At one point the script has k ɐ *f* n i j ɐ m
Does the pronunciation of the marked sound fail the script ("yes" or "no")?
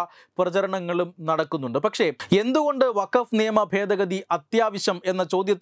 no